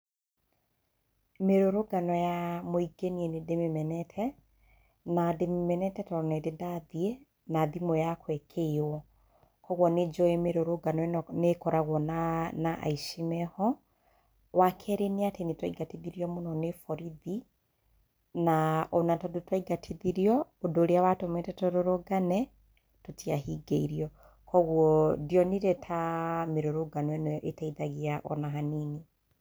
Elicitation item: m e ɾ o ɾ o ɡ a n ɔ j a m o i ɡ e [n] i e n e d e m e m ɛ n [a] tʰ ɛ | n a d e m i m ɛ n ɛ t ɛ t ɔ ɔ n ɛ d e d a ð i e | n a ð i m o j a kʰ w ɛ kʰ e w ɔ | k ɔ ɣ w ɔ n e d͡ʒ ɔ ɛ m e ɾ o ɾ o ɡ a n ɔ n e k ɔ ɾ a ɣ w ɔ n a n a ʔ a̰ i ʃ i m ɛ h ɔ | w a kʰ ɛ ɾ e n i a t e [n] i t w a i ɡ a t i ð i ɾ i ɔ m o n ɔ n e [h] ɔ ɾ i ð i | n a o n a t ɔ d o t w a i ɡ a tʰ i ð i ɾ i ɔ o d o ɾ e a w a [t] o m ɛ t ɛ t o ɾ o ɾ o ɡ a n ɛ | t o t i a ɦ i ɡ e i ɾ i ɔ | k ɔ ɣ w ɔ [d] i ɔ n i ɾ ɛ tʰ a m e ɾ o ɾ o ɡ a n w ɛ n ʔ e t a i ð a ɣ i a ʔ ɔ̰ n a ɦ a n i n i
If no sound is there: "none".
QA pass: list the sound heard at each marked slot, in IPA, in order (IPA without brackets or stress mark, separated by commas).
n, ɛ, n, f, t, d